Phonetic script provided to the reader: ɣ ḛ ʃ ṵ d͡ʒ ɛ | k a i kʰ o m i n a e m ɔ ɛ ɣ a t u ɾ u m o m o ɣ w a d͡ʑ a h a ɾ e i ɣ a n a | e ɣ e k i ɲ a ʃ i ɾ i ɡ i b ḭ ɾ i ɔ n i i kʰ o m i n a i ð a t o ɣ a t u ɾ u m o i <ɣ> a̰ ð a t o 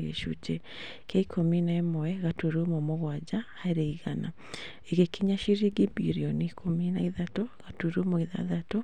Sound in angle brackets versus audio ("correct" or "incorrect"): incorrect